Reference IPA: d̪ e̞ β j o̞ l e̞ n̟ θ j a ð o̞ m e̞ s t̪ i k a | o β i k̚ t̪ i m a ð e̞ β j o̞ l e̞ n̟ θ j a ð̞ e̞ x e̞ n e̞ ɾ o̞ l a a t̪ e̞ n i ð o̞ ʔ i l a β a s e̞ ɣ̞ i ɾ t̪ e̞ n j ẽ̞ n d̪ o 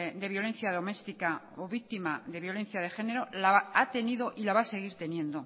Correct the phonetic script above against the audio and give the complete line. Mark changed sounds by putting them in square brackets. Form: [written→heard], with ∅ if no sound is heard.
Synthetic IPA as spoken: d̪ e̞ β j o̞ l e̞ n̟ θ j a ð o̞ m e̞ s t̪ i k a | o β i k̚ t̪ i m a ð e̞ β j o̞ l e̞ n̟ θ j a ð̞ e̞ x e̞ n e̞ ɾ o̞ l a a t̪ e̞ n i ð o̞ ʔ i l a β a s e̞ ɣ̞ i ɾ t̪ e̞ n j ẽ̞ n d̪ o